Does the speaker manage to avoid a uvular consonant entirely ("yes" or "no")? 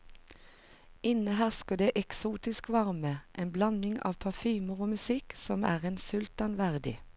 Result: no